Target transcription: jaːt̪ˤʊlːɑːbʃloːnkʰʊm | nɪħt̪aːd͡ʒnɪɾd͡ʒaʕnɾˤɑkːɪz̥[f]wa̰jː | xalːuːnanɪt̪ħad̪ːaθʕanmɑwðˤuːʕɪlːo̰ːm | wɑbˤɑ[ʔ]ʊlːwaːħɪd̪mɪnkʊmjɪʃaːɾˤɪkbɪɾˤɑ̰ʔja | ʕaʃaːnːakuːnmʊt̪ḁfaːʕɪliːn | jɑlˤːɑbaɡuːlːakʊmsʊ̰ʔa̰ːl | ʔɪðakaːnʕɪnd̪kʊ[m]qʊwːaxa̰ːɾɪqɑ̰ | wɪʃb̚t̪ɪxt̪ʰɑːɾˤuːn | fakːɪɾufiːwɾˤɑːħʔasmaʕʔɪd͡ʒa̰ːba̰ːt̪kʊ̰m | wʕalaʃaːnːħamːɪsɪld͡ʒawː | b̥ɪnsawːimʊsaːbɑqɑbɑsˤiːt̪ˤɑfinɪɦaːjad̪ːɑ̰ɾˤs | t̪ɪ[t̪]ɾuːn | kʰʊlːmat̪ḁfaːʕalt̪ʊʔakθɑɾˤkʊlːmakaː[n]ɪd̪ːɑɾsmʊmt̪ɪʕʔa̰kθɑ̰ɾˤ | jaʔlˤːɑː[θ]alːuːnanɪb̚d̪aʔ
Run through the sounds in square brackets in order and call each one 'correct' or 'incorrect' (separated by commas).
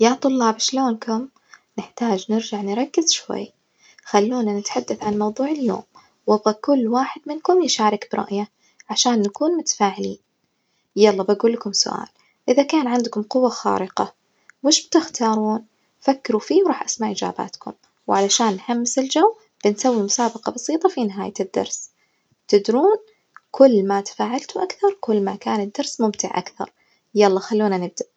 incorrect, incorrect, correct, incorrect, correct, incorrect